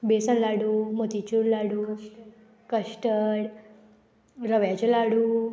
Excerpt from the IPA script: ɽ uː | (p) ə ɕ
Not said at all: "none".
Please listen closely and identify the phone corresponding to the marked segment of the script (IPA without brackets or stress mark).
k